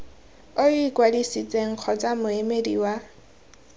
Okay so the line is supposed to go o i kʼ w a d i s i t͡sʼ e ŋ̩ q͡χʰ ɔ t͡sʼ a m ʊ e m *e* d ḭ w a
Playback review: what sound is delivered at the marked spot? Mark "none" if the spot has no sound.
e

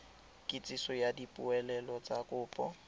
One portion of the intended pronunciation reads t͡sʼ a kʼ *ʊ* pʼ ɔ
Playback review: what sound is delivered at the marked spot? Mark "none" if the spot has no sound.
ʊː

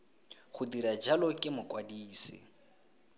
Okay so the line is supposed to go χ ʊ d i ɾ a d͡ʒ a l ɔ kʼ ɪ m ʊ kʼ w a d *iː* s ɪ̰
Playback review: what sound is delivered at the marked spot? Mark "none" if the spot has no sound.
iː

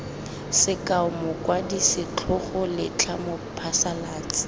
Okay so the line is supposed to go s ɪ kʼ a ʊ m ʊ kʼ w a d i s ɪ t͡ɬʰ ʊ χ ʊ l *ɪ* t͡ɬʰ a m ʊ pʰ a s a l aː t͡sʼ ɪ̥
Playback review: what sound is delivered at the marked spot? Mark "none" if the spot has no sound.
ɪ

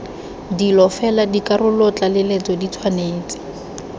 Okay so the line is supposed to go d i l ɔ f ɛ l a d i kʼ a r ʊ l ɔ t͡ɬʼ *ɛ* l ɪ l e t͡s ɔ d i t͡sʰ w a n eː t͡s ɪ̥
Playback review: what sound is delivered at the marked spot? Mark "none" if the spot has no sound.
a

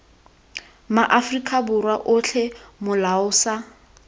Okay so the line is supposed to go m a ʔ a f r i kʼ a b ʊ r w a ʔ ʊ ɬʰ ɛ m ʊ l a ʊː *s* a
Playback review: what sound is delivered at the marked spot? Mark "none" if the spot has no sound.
s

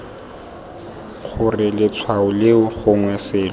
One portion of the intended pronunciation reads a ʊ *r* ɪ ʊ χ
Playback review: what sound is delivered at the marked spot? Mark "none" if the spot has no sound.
l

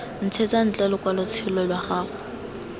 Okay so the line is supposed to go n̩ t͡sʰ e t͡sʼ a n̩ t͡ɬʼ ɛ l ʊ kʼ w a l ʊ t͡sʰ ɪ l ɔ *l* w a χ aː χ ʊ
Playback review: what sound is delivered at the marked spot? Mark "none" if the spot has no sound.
l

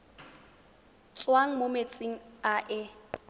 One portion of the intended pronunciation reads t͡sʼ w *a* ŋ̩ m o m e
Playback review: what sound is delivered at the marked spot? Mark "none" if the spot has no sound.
a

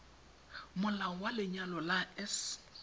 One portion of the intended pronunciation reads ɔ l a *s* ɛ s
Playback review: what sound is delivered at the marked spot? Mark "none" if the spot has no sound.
none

